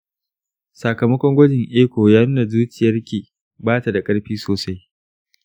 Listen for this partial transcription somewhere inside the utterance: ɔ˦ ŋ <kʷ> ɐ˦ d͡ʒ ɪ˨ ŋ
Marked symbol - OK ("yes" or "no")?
no